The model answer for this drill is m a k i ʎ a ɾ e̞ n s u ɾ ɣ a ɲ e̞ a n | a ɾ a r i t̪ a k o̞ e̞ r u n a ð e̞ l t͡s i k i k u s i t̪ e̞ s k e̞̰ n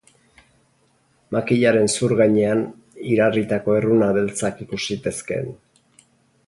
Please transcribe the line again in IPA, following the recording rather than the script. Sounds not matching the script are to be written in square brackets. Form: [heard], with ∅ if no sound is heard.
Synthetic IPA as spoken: m a k i ʎ a ɾ e̞ n s u ɾ ɣ a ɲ e̞ a n | [i] ɾ a r i t̪ a k o̞ e̞ r u n a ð e̞ l t͡s [a] k i k u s i t̪ e̞ s k e̞̰ n